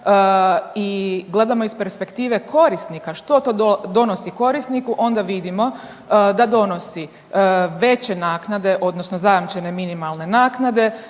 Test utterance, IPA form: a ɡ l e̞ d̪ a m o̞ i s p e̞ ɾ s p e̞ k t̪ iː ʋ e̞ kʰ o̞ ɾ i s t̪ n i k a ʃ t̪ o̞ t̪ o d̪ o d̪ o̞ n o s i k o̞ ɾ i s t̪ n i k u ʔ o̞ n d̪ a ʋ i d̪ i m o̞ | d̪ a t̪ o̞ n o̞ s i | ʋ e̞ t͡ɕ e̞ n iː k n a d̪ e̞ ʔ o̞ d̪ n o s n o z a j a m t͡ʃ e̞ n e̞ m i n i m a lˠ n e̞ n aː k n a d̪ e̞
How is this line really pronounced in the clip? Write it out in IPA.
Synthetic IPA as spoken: i ɡ l e̞ d̪ a m o̞ i s p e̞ ɾ s p e̞ k t̪ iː ʋ e̞ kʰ o̞ ɾ i s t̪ n i k a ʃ t̪ o̞ t̪ o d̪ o d̪ o̞ n o s i k o̞ ɾ i s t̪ n i k u ʔ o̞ n d̪ a ʋ i d̪ i m o̞ | d̪ a d̪ o̞ n o̞ s i | ʋ e̞ t͡ɕ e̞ n aː k n a d̪ e̞ ʔ o̞ d̪ n o s n o z a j a m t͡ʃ e̞ n e̞ m i n i m a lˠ n e̞ n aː k n a d̪ e̞